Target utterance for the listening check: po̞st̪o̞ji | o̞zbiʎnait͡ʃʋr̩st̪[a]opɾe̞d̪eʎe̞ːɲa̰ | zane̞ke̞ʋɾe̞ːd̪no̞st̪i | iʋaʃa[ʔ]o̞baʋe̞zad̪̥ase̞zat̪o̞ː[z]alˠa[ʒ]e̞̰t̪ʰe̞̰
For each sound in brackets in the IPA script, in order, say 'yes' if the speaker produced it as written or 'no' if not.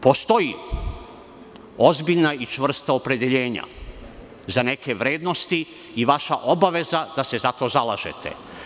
yes, yes, yes, yes

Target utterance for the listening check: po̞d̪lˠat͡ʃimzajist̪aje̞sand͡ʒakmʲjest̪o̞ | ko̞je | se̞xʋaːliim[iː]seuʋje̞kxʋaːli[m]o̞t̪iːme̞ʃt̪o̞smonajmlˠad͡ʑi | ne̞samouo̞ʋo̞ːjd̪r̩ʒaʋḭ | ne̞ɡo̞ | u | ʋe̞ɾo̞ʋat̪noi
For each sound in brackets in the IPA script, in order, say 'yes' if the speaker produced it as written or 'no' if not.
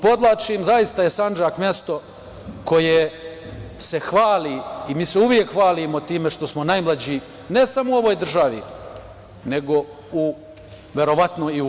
yes, yes

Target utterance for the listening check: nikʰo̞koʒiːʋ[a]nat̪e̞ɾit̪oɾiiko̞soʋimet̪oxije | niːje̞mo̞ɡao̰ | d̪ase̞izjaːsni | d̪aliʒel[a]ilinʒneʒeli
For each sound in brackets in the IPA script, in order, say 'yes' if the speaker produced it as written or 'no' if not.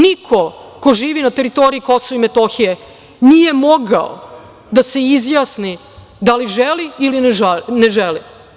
no, no

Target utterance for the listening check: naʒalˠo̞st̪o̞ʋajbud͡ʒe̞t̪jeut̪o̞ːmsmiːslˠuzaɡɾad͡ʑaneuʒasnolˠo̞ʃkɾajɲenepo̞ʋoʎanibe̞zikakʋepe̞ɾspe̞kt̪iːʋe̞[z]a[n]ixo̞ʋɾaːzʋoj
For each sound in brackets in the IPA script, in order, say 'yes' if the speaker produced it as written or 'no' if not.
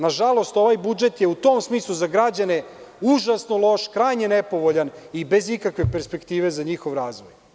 yes, no

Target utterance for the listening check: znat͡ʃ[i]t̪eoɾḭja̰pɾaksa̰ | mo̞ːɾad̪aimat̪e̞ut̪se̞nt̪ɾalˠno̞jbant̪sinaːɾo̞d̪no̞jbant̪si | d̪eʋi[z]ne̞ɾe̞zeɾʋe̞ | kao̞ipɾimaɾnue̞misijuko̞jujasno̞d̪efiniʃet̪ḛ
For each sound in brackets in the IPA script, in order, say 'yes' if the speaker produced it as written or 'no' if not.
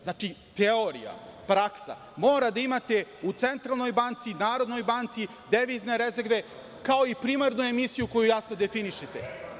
yes, yes

